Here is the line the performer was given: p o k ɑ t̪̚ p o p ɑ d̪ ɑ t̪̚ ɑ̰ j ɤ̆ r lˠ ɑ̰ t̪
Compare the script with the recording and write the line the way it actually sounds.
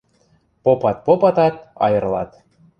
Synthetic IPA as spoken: p o p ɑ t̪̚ p o p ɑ t̪ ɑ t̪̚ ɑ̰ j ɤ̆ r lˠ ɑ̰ t̪